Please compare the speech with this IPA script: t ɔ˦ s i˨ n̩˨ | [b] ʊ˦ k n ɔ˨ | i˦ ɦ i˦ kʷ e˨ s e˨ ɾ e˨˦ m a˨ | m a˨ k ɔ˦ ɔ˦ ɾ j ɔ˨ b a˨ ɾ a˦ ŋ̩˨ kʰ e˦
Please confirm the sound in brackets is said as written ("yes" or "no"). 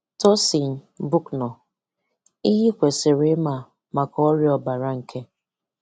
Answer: yes